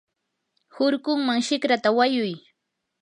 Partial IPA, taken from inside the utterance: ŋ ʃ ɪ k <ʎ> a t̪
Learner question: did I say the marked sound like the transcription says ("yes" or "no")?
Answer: no